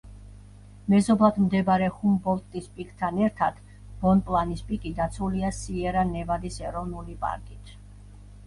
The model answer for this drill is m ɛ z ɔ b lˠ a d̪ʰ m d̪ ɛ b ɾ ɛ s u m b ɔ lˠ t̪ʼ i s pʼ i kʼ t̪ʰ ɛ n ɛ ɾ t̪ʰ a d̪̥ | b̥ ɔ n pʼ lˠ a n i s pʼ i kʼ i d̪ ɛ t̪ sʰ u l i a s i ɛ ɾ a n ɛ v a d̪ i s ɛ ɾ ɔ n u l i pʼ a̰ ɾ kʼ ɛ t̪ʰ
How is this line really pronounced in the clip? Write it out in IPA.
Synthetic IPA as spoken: m ɛ z ɔ b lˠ a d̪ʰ m d̪ ɛ b ɾ ɛ χ u m b ɔ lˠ t̪ʼ i s pʼ i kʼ t̪ʰ a n ɛ ɾ t̪ʰ a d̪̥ | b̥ ɔ n pʼ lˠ a n i s pʼ i kʼ i d̪ a t̪ sʰ u l i a s i ɛ ɾ a n ɛ v a d̪ i s ɛ ɾ ɔ n u l i pʼ a̰ ɾ kʼ i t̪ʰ